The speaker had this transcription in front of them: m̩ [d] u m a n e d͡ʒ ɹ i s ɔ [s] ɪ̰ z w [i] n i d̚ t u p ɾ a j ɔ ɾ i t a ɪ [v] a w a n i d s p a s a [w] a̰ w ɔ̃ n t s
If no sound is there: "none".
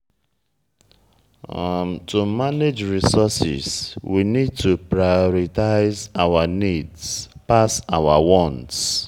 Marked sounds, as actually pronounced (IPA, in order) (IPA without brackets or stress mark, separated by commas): t, s, i, z, w